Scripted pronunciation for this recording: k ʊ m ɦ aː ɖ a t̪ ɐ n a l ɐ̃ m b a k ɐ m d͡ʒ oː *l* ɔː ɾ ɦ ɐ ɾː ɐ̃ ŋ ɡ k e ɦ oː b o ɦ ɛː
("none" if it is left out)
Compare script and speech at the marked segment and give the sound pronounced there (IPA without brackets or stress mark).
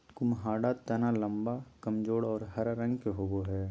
ɽ